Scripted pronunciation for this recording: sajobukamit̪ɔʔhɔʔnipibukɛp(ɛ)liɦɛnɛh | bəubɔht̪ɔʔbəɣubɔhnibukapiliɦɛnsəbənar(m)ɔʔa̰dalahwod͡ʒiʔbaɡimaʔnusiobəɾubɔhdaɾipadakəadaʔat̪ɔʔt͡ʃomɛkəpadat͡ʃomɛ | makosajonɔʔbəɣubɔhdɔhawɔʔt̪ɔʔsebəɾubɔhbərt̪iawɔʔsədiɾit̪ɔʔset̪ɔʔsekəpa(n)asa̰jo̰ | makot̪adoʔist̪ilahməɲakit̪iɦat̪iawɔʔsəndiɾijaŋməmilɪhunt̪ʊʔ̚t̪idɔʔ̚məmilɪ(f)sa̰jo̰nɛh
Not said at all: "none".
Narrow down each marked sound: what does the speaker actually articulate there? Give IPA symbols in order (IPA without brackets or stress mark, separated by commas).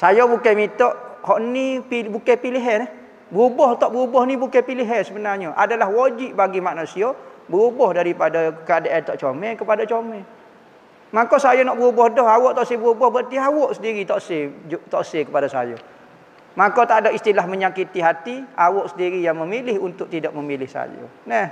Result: i, ɲ, d, h